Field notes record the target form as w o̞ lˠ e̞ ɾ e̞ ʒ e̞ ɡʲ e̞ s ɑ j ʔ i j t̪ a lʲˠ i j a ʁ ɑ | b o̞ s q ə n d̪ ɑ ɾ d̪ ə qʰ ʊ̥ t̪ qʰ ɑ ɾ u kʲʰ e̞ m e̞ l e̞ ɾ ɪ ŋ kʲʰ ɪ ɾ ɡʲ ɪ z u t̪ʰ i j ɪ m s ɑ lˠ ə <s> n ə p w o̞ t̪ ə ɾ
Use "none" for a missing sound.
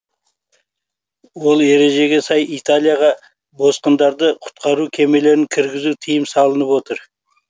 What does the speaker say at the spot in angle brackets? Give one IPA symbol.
none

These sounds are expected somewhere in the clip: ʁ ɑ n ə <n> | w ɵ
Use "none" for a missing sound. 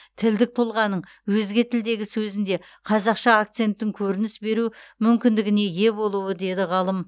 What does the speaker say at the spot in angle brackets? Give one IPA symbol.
ɴ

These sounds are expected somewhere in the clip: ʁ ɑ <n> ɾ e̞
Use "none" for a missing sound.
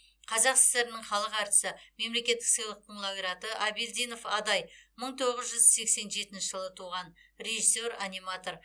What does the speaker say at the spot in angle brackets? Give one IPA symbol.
n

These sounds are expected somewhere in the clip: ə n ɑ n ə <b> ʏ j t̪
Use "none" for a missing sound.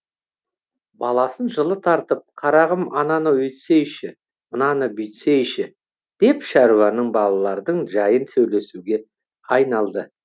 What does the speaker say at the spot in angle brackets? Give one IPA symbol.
b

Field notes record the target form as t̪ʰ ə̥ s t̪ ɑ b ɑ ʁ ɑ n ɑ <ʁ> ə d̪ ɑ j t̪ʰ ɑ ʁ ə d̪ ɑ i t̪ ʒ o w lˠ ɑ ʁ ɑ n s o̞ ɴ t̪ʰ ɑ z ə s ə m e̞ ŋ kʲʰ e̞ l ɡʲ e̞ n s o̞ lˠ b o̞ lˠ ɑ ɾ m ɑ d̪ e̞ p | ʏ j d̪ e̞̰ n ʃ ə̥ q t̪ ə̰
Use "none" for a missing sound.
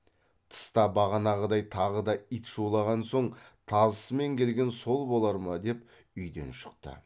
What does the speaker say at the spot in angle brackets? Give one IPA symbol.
ʁ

